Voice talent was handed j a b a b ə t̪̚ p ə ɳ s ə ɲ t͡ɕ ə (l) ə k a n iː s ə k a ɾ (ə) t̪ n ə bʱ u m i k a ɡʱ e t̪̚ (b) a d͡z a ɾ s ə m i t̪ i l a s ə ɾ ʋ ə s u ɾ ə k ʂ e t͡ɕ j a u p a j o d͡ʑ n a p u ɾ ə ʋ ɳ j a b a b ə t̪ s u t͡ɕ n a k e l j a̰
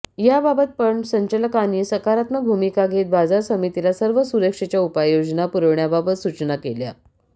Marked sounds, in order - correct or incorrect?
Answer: correct, incorrect, correct

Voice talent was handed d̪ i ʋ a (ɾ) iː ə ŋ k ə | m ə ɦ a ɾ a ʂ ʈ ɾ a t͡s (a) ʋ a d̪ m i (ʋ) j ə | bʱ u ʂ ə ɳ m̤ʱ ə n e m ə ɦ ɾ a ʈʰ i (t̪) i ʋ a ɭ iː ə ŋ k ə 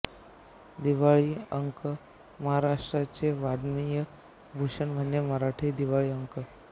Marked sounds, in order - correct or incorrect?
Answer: incorrect, incorrect, incorrect, incorrect

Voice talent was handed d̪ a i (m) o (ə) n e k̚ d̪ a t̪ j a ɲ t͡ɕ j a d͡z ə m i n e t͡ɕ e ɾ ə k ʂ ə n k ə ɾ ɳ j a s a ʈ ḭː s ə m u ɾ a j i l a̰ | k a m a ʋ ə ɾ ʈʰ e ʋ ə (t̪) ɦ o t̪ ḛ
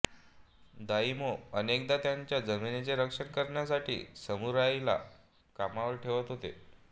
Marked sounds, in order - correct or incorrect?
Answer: correct, correct, correct

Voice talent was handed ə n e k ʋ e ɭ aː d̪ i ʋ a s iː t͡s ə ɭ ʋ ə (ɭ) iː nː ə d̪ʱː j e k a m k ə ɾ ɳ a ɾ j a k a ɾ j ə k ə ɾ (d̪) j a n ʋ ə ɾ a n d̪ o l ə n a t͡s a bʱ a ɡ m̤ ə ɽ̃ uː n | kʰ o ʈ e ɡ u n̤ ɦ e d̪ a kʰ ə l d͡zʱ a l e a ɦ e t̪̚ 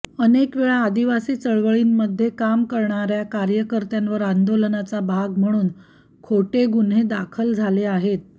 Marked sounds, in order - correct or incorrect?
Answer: correct, incorrect

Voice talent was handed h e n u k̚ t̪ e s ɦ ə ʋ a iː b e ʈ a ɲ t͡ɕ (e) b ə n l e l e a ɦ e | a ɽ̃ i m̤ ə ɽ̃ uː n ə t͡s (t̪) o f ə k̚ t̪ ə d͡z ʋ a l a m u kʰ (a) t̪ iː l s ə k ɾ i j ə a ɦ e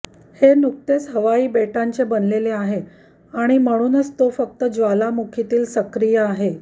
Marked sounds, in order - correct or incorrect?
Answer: correct, correct, incorrect

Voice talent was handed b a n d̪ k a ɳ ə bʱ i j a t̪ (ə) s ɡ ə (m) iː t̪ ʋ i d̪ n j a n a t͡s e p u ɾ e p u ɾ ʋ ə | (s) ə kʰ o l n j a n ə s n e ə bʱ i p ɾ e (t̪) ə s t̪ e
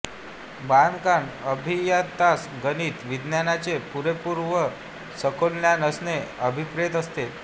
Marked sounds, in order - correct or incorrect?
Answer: incorrect, incorrect, correct, correct

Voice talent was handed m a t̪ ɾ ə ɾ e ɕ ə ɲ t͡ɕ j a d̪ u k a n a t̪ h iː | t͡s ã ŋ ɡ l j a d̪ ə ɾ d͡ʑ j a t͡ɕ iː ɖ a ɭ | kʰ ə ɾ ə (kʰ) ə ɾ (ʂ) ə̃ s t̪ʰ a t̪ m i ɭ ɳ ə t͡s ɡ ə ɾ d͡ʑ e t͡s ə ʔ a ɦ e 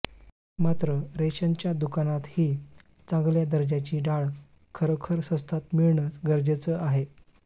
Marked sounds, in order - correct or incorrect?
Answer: correct, incorrect

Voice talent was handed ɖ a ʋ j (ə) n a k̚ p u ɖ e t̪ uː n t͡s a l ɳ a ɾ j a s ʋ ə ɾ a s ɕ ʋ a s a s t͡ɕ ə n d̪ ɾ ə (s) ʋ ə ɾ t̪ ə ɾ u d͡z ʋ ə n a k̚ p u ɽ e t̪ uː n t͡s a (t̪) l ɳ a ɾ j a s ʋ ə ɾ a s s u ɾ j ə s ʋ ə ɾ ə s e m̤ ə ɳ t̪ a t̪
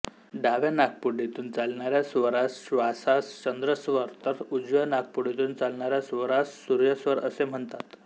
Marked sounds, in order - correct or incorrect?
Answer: incorrect, correct, incorrect

